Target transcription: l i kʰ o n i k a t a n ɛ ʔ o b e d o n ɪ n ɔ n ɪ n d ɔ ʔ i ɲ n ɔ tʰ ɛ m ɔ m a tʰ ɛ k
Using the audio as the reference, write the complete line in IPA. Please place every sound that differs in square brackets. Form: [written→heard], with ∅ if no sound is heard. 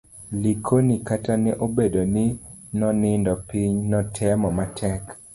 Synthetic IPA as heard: l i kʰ o n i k a t a n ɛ ʔ o b e d o n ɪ n ɔ n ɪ n d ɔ [ʔ→p] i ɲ n ɔ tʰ ɛ m ɔ m a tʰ ɛ k